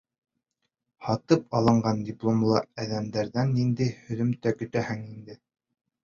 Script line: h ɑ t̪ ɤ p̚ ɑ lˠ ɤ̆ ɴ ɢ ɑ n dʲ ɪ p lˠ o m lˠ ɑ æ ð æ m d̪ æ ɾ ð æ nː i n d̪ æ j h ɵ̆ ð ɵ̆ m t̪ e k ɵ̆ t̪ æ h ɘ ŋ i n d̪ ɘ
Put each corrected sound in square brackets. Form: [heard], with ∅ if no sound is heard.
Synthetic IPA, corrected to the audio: h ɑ t̪ ɤ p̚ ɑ lˠ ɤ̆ ɴ ɢ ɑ n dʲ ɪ p lˠ o m lˠ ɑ æ ð æ m d̪ æ ɾ ð æ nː i n d̪ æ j h ɵ̆ ð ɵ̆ m t̪ [æ] k ɵ̆ t̪ æ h ɘ ŋ i n d̪ ɘ